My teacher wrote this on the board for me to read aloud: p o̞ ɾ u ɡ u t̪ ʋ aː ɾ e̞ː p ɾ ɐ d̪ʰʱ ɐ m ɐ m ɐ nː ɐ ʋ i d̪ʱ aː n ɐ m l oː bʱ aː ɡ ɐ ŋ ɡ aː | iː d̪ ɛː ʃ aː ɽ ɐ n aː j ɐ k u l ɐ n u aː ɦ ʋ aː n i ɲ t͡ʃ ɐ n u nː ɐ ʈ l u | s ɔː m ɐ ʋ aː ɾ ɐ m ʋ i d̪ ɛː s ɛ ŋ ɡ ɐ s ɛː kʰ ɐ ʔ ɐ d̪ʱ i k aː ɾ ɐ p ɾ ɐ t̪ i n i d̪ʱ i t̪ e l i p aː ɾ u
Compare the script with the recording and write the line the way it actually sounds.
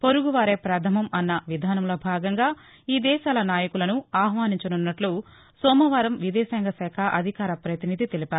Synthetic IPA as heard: p o̞ ɾ u ɡ u ʋ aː ɾ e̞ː p ɾ ɐ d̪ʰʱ ɐ m ɐ m ɐ nː ɐ ʋ i d̪ʱ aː n ɐ m l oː bʱ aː ɡ ɐ ŋ ɡ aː | iː d̪ ɛː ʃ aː l ɐ n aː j ɐ k u l ɐ n u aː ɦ ʋ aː n i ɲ t͡ʃ ɐ n u nː ɐ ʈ l u | s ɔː m ɐ ʋ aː ɾ ɐ m ʋ i d̪ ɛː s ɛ ŋ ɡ ɐ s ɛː kʰ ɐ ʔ ɐ d̪ʱ i k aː ɾ ɐ p ɾ ɐ t̪ i n i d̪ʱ i t̪ e l i p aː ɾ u